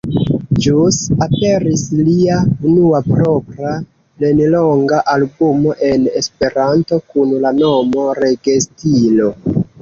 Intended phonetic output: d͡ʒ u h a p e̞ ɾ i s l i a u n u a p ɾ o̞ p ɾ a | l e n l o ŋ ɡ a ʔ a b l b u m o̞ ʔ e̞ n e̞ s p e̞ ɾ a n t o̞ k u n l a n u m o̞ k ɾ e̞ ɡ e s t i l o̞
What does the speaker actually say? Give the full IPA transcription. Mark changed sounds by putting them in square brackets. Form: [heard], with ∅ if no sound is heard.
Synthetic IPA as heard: d͡ʒ u [s] a p e̞ ɾ i s l i a u n u a p ɾ o̞ p ɾ a | l e n l o ŋ ɡ a ʔ a [∅] l b u m o̞ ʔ e̞ n e̞ s p e̞ ɾ a n t o̞ k u n l a n [o] m o̞ [∅] ɾ e̞ ɡ e s t i l o̞

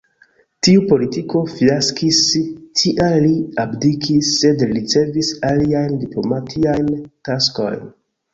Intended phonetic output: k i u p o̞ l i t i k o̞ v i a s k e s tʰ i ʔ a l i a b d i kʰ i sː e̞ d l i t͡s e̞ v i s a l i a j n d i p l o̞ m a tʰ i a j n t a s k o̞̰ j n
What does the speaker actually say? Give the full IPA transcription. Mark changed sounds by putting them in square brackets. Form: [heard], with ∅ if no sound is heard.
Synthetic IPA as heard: [t] i u p o̞ l i t i k o̞ [f] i a s k [i] s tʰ i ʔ a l i a b d i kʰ i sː e̞ d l i t͡s e̞ v i s a l i a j n d i p l o̞ m a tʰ i a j n t a s k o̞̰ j n

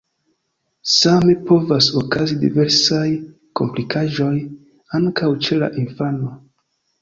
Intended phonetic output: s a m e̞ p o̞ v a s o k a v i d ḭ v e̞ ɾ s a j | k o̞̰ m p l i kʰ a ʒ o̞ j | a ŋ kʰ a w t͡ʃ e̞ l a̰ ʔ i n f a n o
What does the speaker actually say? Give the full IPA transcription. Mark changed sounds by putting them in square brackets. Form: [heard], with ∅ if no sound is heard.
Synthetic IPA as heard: s a m e̞ p o̞ v a s o k a [z] i d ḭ v e̞ ɾ s a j | k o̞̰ m p l i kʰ a ʒ o̞ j | a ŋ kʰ a w t͡ʃ e̞ l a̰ ʔ i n f a n o

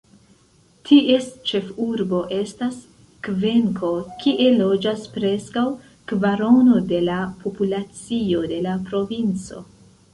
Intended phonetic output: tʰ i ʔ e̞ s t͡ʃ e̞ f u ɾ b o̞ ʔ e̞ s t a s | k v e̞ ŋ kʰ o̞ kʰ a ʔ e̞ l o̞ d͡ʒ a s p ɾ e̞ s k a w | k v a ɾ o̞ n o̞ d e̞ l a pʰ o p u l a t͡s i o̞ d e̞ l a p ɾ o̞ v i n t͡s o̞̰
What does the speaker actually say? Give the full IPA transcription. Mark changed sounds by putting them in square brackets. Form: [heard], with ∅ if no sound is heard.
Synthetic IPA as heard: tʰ i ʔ e̞ s t͡ʃ e̞ f u ɾ b o̞ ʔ e̞ s t a s | k v e̞ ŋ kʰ o̞ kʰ [i] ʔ e̞ l o̞ d͡ʒ a s p ɾ e̞ s k a w | k v a ɾ o̞ n o̞ d e̞ l a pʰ o p u l a t͡s i o̞ d e̞ l a p ɾ o̞ v i n t͡s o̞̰

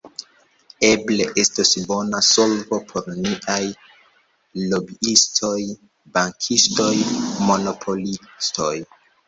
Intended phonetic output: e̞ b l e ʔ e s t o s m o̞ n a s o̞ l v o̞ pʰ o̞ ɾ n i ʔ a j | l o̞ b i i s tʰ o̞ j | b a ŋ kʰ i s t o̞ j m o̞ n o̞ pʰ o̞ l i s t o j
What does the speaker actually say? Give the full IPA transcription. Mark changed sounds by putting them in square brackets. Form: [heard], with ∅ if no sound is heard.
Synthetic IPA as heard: e̞ b l e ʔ e s t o s [b] o̞ n a s o̞ l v o̞ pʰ o̞ ɾ n i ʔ a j | l o̞ b i i s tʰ o̞ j | b a ŋ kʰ i s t o̞ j m o̞ n o̞ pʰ o̞ l i s t o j

